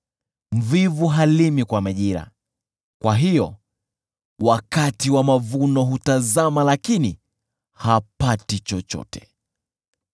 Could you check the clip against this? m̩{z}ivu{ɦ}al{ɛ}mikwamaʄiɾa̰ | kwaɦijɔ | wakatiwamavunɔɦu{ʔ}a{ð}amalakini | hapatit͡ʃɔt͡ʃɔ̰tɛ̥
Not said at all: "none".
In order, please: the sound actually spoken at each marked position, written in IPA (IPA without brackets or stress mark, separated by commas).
v, ɦ, i, t, z